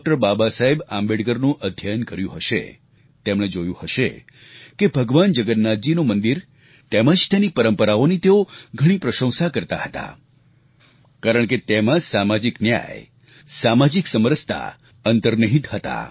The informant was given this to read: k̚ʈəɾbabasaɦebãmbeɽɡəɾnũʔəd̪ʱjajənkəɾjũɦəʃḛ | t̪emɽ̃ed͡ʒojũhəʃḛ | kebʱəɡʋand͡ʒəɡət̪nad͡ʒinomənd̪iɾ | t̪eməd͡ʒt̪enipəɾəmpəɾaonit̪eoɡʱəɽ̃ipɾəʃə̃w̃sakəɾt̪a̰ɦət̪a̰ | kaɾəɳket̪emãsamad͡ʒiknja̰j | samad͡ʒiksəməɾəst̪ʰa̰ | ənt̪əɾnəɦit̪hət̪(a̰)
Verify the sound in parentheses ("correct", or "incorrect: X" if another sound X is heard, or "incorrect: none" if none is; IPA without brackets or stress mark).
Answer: correct